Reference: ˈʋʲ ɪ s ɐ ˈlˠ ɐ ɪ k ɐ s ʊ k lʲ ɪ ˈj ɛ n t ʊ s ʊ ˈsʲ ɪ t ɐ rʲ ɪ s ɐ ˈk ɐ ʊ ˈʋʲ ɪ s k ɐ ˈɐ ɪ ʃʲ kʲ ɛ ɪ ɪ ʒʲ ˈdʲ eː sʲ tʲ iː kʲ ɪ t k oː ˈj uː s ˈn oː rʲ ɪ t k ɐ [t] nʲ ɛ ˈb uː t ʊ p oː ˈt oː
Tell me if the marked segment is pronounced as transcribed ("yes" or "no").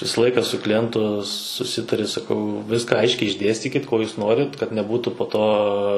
yes